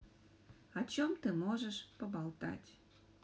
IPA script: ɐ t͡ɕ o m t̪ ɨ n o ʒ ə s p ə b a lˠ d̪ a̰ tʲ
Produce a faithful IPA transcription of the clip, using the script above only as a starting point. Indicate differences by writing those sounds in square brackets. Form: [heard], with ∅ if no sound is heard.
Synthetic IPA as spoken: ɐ t͡ɕ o m t̪ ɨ [m] o ʒ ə [ʃ] p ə b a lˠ [t̪] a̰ tʲ